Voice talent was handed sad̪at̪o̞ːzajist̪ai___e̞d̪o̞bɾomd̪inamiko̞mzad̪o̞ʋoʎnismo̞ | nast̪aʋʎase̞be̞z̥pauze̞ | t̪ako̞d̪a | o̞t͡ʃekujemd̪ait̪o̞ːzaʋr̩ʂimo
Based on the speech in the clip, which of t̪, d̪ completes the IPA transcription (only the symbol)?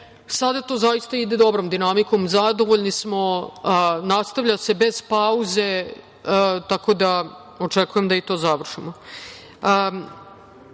d̪